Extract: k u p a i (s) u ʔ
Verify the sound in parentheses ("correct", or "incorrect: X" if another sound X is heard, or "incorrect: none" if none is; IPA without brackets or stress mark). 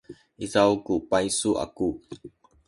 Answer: correct